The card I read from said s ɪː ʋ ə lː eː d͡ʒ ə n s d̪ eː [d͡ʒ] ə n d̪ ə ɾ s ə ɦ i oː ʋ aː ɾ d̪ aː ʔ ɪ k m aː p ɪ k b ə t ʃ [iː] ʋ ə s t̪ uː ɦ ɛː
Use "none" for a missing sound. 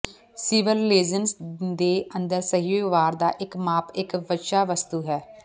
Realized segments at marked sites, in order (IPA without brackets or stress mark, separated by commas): none, aː